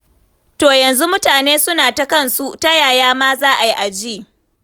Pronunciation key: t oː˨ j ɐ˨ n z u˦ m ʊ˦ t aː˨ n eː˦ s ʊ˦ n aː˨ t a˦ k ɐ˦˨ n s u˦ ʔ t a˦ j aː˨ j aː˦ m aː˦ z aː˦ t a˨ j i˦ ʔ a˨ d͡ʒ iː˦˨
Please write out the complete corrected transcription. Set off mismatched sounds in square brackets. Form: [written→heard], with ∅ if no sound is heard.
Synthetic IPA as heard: t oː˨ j ɐ˨ n z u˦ m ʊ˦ t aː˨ n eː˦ s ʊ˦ n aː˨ t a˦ k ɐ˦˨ n s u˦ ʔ t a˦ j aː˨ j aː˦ m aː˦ z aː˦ [t→ʔ] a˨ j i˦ ʔ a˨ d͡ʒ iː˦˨

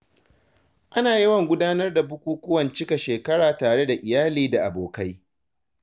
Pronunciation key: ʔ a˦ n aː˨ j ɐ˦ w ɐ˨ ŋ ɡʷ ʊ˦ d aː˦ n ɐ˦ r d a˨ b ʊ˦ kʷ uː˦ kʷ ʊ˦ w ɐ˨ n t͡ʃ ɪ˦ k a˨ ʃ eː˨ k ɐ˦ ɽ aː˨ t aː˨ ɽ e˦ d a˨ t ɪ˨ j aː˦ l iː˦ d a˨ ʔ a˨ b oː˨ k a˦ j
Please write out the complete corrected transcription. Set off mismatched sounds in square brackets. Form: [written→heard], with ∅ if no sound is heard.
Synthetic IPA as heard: ʔ a˦ n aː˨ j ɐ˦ w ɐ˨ ŋ ɡʷ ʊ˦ d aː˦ n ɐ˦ r d a˨ b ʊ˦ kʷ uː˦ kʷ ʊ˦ w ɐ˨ n t͡ʃ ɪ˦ k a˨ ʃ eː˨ k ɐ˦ ɽ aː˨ t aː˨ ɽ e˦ d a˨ [t→ʔ] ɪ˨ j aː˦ l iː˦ d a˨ ʔ a˨ b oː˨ k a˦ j

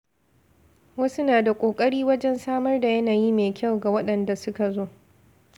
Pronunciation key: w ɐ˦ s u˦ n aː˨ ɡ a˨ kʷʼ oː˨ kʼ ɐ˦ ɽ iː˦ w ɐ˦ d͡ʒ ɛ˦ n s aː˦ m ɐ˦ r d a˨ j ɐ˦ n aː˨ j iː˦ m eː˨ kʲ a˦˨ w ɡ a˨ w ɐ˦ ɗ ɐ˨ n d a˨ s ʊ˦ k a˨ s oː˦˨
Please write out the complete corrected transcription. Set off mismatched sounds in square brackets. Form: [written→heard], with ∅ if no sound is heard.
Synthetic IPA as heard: w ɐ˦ s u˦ n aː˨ [ɡ→d] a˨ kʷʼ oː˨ kʼ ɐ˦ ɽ iː˦ w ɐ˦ d͡ʒ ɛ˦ n s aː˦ m ɐ˦ r d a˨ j ɐ˦ n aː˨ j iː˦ m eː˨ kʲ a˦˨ w ɡ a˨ w ɐ˦ ɗ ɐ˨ n d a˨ s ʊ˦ k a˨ [s→z] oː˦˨

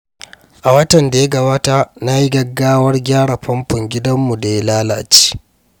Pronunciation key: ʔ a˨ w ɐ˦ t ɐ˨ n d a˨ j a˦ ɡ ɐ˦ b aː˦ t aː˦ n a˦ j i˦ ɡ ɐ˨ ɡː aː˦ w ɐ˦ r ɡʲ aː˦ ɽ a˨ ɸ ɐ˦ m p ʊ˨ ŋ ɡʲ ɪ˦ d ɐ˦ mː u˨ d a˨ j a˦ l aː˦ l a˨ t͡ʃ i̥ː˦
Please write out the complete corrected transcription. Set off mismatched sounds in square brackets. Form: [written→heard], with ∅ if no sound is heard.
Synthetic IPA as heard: ʔ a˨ w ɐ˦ t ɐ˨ n d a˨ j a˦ ɡ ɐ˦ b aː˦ t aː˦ n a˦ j i˦ ɡ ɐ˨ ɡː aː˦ w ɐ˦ r ɡʲ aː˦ ɽ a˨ ɸ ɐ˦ m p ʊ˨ ŋ ɡʲ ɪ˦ d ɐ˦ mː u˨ d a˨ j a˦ l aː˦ l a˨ t͡ʃ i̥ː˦

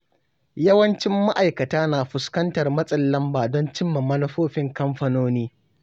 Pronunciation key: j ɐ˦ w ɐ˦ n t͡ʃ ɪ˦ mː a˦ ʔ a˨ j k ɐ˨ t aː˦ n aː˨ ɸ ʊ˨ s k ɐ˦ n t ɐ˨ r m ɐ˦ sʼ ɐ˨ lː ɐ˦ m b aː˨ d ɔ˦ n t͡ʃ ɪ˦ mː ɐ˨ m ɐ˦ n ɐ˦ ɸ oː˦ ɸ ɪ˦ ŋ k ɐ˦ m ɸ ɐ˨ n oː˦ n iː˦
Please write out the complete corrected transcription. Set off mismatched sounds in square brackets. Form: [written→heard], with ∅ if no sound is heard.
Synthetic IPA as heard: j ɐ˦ w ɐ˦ n t͡ʃ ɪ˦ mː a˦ ʔ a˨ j k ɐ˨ t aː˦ n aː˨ ɸ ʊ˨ s k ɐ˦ n t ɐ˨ r m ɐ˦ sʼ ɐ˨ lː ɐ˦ m b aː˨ d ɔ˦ n t͡ʃ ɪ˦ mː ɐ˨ m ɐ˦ n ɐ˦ ɸ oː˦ ɸ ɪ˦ ŋ k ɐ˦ m ɸ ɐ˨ n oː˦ n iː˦

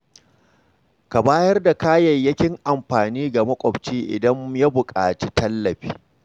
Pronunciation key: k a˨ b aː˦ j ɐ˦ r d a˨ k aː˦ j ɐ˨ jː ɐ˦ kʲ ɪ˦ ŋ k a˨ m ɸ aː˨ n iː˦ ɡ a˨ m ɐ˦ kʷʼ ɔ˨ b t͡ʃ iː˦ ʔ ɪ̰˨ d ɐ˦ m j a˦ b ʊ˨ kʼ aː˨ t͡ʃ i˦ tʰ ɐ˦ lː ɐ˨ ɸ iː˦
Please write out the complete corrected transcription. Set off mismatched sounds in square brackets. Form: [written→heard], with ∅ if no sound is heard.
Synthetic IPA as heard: k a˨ b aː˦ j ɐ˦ r d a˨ k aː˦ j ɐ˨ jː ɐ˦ kʲ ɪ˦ ŋ [k→ʔ] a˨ m ɸ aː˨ n iː˦ ɡ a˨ m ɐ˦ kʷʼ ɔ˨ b t͡ʃ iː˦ ʔ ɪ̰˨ d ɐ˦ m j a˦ b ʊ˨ kʼ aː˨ t͡ʃ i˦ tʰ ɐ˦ lː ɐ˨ ɸ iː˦

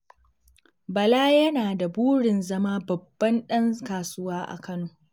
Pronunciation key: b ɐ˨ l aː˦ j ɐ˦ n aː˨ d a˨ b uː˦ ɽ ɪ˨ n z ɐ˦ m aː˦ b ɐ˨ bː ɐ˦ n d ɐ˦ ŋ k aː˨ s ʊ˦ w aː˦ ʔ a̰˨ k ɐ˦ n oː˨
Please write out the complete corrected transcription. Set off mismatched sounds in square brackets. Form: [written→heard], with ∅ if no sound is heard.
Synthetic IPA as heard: b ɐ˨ l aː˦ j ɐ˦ n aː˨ d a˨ b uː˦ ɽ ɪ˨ n z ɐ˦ m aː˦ b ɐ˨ bː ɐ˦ n [d→ɗ] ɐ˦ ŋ k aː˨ s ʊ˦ w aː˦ ʔ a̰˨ k ɐ˦ n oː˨

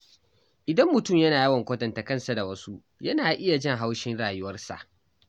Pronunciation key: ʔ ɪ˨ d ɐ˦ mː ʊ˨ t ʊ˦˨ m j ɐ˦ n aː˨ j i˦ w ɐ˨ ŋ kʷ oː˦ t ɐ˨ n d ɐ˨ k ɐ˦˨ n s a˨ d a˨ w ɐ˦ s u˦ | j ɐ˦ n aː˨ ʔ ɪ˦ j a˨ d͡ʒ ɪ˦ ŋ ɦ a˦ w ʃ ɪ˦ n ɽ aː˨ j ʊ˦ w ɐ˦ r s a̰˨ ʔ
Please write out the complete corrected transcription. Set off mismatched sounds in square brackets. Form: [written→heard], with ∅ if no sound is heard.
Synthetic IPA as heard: ʔ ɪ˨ d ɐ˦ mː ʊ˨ t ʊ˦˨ m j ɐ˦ n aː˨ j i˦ w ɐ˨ ŋ kʷ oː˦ t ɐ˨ n [d→t] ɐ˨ k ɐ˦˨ n s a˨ d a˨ w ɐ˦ s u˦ | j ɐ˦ n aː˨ ʔ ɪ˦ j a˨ d͡ʒ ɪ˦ ŋ ɦ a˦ w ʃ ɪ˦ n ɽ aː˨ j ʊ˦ w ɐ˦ r s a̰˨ ʔ

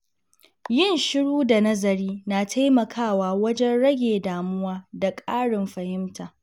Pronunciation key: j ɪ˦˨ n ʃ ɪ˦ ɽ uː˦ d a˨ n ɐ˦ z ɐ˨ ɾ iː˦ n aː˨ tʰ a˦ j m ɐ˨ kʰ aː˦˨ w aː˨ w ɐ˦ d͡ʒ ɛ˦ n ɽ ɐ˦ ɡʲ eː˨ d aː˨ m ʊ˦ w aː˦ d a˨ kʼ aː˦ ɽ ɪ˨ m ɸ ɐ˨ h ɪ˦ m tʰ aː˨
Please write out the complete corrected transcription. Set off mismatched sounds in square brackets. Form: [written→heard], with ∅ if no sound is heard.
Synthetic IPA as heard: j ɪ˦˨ n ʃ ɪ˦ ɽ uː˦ d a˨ n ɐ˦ z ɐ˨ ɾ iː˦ n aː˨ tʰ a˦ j m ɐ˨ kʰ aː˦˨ w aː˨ w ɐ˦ d͡ʒ ɛ˦ n ɽ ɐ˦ ɡʲ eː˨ d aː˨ m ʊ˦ w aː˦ d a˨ kʼ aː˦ ɽ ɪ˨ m ɸ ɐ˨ h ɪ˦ m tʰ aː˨

